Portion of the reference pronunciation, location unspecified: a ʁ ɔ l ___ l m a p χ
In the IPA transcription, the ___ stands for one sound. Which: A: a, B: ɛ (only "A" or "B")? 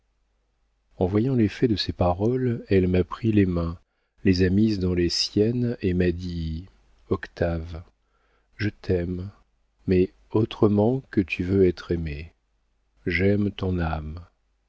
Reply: B